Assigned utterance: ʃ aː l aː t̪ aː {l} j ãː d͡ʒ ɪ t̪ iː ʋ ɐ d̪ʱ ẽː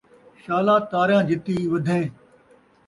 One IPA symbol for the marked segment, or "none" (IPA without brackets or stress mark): ɾ